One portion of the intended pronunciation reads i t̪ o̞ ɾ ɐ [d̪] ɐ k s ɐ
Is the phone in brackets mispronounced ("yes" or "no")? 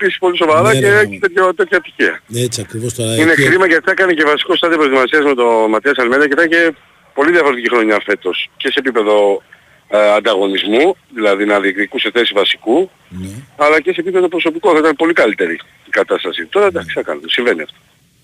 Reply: no